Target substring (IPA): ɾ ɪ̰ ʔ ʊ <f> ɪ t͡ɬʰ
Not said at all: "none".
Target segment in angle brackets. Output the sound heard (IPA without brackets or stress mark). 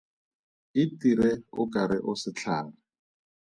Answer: s